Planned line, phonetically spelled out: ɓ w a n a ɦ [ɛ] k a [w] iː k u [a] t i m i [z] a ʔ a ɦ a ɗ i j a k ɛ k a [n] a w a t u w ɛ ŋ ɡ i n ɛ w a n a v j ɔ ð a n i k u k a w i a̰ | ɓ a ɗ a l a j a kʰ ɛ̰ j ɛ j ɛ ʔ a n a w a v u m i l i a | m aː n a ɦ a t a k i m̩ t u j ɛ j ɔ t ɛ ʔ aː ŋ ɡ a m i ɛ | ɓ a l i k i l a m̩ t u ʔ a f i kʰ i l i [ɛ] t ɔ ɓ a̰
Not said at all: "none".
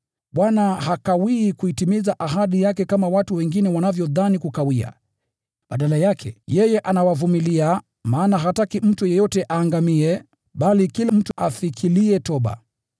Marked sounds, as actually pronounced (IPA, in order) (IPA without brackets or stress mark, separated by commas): a, w, i, z, m, ɛ